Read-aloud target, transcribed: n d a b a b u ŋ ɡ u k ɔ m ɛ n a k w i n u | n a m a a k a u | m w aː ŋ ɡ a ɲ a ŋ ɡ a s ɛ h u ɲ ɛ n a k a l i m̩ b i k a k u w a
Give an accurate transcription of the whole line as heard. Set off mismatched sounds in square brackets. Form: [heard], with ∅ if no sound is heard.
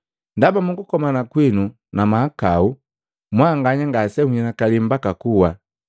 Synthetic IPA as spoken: n d a b a [m] u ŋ ɡ u k ɔ m [a] n a k w i n u | n a m a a k a u | m w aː ŋ ɡ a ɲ a ŋ ɡ a s ɛ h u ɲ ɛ n a k a l i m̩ b [a] k a k u w a